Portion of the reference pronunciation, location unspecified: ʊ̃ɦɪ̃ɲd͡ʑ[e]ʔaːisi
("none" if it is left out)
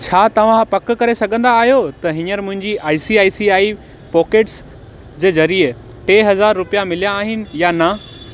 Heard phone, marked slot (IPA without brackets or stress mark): i